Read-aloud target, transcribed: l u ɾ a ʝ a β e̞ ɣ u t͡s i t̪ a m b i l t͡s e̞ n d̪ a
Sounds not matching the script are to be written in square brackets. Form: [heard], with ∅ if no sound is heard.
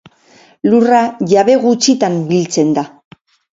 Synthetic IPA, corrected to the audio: l u [r] a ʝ a β e̞ ɣ u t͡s i t̪ a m b i l t͡s e̞ n d̪ a

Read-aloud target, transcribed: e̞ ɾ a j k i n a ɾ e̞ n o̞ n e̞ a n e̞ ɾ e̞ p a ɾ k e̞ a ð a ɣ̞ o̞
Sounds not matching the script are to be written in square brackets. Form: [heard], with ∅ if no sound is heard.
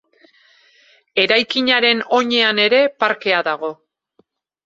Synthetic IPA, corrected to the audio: e̞ ɾ a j k i [ɲ] a ɾ e̞ n o̞ [ɲ] e̞ a n e̞ ɾ e̞ p a ɾ k e̞ a ð a ɣ̞ o̞

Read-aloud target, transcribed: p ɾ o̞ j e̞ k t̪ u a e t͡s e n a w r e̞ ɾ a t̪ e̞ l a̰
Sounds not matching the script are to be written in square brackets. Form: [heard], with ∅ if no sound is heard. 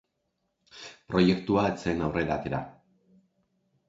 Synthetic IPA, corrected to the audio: p ɾ o̞ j e̞ k t̪ u a e t͡s e n a w r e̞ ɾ a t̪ e̞ [ɾ] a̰

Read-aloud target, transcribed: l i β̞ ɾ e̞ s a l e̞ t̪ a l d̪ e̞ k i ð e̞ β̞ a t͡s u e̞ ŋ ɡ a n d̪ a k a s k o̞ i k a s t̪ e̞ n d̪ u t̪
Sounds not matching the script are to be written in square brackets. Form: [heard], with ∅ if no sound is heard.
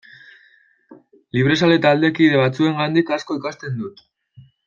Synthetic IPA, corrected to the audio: l i β̞ ɾ e̞ s a l e̞ t̪ a l d̪ e̞ k i ð e̞ β̞ a t͡s u e̞ ŋ ɡ a n d̪ [i] k a s k o̞ i k a s t̪ e̞ n d̪ u t̪

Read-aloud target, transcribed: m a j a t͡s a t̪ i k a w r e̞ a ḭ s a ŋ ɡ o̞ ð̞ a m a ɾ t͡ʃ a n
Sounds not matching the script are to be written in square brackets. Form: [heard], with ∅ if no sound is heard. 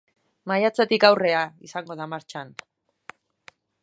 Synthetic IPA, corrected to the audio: m a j a t͡s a t̪ i k a w r e̞ a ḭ s a ŋ ɡ o̞ ð̞ a m a ɾ t͡ʃ a n

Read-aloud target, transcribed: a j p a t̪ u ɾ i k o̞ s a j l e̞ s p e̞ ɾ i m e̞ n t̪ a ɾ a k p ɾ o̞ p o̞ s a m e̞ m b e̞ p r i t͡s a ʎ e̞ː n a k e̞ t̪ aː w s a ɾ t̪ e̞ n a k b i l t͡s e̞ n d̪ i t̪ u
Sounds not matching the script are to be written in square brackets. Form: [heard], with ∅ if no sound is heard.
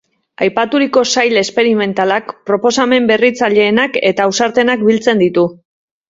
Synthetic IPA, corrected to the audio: a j p a t̪ u ɾ i k o̞ s a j l e̞ s p e̞ ɾ i m e̞ n t̪ a [l] a k p ɾ o̞ p o̞ s a m e̞ m b e̞ [∅] r i t͡s a ʎ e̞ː n a k e̞ t̪ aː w s a ɾ t̪ e̞ n a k b i l t͡s e̞ n d̪ i t̪ u

